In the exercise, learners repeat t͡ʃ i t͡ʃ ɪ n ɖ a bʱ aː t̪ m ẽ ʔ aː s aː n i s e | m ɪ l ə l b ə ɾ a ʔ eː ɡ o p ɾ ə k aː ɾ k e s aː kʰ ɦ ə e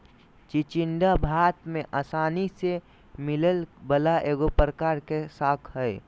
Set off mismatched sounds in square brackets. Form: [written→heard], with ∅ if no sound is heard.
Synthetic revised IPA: t͡ʃ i t͡ʃ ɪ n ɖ a bʱ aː t̪ m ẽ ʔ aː s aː n i s e | m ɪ l ə l b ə [ɾ→l] a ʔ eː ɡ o p ɾ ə k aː ɾ k e s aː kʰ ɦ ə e